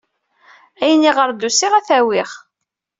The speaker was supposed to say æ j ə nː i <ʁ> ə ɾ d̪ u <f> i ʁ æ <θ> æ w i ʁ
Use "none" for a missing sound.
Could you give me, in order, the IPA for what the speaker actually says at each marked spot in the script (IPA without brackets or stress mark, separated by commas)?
ʁ, s, θ